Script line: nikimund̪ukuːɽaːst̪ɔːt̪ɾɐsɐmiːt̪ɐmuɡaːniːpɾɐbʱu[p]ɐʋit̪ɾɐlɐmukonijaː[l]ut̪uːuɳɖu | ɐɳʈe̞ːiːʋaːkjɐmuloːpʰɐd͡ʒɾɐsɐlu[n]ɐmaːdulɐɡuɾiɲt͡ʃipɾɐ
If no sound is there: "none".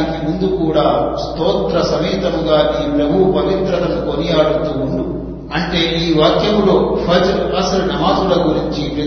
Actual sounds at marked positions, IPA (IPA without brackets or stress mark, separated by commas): p, ɽ, n